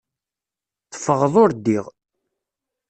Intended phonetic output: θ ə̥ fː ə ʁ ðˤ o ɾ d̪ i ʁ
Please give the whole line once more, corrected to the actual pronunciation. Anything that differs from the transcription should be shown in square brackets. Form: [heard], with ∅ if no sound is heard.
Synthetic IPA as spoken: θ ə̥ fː ə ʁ ðˤ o ɾ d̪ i ʁ